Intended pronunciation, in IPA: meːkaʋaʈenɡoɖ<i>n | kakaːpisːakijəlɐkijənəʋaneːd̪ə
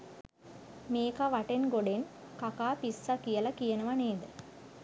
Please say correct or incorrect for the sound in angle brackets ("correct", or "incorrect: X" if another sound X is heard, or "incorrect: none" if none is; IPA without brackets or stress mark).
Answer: incorrect: e